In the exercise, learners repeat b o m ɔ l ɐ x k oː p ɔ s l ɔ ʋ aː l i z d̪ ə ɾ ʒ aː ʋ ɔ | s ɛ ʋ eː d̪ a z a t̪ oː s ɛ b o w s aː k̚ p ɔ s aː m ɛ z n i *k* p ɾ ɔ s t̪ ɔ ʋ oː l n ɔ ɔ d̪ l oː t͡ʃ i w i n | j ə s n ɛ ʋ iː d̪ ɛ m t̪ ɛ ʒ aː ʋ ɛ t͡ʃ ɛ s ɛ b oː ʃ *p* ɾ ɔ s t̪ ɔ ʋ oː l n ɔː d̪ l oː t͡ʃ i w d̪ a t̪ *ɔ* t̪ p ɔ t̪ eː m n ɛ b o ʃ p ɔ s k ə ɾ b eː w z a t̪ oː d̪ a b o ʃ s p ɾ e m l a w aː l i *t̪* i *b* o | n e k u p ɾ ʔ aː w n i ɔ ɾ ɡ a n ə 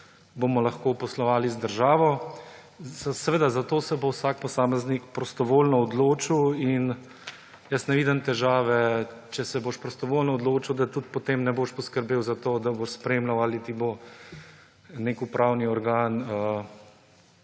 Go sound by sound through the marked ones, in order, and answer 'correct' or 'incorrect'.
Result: correct, correct, incorrect: u, correct, correct

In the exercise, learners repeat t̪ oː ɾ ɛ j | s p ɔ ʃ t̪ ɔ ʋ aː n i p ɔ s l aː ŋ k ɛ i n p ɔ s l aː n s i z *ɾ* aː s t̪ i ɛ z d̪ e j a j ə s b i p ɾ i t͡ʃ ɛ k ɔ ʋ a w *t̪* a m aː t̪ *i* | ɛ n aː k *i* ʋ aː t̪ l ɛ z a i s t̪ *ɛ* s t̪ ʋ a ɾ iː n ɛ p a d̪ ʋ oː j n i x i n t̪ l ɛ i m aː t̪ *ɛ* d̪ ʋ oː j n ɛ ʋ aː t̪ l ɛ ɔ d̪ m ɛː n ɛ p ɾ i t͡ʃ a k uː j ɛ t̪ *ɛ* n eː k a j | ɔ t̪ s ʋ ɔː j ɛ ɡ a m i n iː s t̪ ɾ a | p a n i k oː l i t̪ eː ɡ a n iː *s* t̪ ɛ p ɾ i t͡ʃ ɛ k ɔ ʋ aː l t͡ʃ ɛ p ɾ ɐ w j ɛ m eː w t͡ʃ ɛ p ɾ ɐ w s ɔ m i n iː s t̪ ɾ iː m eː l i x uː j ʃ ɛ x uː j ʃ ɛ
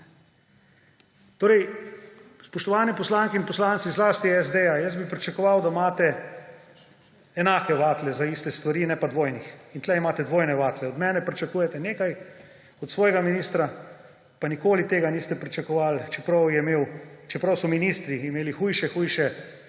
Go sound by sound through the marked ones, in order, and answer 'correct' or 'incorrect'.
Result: incorrect: l, incorrect: d̪, incorrect: ɛ, incorrect: ɛ, correct, correct, correct, correct

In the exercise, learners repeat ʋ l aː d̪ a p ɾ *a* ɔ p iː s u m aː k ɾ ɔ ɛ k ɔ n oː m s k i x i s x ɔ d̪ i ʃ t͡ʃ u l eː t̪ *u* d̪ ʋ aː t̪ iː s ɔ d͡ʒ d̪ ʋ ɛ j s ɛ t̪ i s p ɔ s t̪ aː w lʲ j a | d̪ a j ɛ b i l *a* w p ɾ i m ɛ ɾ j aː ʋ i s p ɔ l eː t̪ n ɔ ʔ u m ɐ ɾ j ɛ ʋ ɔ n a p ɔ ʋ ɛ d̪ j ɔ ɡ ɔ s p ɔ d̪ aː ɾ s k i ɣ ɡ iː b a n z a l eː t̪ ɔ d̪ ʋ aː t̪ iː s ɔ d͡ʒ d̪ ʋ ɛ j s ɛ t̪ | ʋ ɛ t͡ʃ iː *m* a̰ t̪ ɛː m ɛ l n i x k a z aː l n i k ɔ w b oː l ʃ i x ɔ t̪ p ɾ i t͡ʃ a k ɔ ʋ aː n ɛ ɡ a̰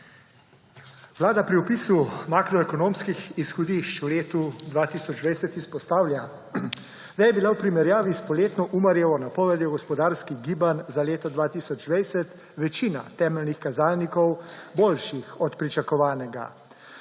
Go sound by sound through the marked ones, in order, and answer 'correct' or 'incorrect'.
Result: incorrect: i, correct, correct, incorrect: n

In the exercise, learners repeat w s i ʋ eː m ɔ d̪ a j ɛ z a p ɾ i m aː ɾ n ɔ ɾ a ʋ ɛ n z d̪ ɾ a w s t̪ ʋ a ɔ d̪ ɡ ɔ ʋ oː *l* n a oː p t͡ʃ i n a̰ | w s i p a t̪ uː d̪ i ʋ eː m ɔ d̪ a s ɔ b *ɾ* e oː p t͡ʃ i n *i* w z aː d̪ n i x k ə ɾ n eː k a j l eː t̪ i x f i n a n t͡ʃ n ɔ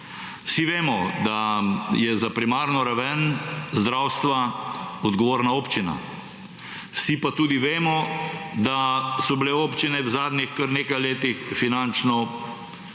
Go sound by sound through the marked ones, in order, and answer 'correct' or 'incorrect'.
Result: incorrect: ɾ, incorrect: l, incorrect: ɛ

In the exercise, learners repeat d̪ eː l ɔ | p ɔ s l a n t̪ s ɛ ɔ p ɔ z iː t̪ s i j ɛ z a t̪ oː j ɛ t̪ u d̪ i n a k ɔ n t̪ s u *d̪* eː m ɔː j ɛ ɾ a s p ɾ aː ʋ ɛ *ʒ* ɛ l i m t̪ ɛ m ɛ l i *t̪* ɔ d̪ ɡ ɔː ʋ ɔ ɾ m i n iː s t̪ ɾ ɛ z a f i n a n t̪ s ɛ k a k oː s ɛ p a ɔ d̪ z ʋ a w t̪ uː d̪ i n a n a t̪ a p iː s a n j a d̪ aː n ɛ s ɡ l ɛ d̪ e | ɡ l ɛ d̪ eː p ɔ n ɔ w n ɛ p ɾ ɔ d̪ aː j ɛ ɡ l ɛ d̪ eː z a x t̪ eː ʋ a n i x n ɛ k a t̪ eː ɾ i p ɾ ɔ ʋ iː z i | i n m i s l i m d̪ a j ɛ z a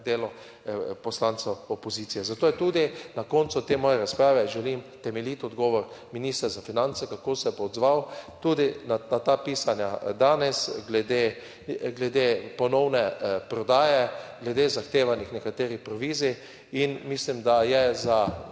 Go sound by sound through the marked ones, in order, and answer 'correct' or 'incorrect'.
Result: incorrect: t̪, correct, correct

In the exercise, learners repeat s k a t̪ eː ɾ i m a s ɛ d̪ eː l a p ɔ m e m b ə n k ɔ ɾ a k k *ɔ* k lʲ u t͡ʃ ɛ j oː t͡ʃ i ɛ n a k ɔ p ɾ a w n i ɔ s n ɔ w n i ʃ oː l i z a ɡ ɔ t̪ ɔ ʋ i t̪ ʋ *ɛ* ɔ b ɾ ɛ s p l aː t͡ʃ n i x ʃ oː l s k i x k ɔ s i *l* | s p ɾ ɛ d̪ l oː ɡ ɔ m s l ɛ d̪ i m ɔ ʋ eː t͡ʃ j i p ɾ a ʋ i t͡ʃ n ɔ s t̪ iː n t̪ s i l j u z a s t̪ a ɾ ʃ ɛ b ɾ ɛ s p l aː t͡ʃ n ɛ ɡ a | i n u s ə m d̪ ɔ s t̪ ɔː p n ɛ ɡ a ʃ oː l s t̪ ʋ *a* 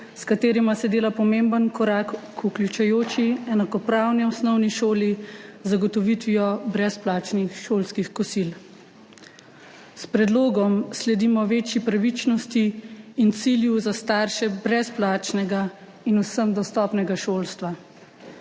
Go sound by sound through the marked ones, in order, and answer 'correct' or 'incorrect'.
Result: incorrect: u, incorrect: i, correct, correct

